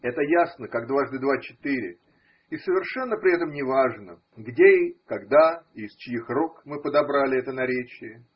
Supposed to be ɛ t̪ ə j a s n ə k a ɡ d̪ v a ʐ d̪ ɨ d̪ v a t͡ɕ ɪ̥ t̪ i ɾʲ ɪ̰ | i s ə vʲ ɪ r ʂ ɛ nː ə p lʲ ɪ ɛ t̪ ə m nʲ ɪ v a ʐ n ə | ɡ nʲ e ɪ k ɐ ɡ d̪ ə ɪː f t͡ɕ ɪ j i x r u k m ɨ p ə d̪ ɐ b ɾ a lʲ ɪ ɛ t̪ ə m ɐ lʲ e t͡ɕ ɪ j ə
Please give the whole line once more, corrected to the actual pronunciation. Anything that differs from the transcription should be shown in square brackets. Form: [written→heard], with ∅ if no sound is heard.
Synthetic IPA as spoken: ɛ t̪ ə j a s n ə k a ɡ d̪ v a ʐ d̪ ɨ d̪ v a t͡ɕ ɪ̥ t̪ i ɾʲ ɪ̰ | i s ə vʲ ɪ r ʂ ɛ nː ə p [lʲ→ɾʲ] ɪ ɛ t̪ ə m nʲ ɪ v a ʐ n ə | ɡ [nʲ→dʲ] e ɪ k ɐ ɡ d̪ [ə→a] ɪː [f→s] t͡ɕ ɪ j i x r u k m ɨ p ə d̪ ɐ b ɾ a lʲ ɪ ɛ t̪ ə [m→n] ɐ [lʲ→ɾʲ] e t͡ɕ ɪ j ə